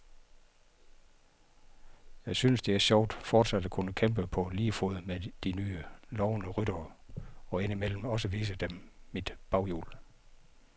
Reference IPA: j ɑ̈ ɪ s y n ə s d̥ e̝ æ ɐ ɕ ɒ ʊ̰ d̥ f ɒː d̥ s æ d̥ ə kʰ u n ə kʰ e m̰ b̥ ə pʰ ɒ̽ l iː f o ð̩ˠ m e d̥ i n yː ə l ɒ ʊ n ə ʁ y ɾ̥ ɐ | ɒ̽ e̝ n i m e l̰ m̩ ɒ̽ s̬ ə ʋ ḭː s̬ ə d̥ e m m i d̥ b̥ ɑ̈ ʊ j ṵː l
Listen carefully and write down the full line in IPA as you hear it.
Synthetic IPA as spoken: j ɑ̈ ɪ s y n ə s d̥ e̝ æ ɐ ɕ ɒ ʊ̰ d̥ f ɒː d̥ s æ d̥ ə kʰ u n ə kʰ e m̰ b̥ ə pʰ ɒ̽ l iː f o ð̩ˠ m e d̥ i n yː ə l ɒ ʊ n ə ʁ y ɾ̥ ɐ | ɒ̽ e̝ n i m e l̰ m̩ ɒ̽ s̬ ə ʋ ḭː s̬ ə d̥ e m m i d̥ b̥ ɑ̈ ʊ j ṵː l